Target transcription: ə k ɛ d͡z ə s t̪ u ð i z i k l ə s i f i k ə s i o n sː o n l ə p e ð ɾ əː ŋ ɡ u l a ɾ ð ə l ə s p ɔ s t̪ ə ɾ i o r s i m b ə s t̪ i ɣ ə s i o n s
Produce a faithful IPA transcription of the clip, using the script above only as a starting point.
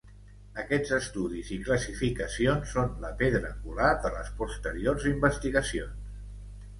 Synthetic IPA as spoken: ə k ɛ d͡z ə s t̪ u ð i z i k l ə s i f i k ə s i o n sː o n l ə p e ð ɾ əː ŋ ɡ u l a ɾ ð ə l ə s p u s t̪ ə ɾ i o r z i m b ə s t̪ i ɣ ə s i o n s